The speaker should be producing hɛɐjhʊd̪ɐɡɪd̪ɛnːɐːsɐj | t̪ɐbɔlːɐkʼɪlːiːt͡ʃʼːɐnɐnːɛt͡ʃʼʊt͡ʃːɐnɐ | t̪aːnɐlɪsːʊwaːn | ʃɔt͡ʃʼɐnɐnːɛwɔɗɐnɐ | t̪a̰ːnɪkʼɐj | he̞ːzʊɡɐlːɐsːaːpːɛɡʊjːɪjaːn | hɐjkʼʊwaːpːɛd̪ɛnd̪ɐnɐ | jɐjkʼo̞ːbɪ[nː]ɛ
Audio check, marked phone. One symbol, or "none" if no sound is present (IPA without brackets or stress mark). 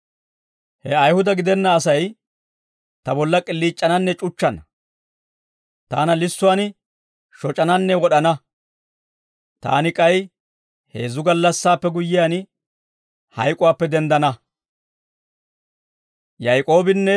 nː